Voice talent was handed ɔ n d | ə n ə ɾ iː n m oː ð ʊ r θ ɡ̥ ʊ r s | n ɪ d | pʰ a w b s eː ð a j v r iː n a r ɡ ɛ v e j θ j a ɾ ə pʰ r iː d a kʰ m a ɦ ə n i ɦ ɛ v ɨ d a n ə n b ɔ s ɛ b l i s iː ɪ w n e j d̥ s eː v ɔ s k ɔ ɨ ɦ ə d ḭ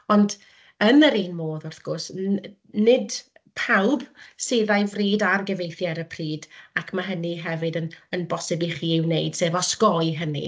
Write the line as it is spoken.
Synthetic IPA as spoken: ɔ n d | ə n ə ɾ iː n m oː ð ʊ r θ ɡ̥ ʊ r s | n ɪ d | pʰ a w b s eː ð a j v r iː d a r ɡ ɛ v e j θ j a ɾ ə pʰ r iː d a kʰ m a ɦ ə n i ɦ ɛ v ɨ d ə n ə n b ɔ s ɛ b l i χ iː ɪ w n e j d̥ s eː v ɔ s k ɔ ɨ ɦ ə n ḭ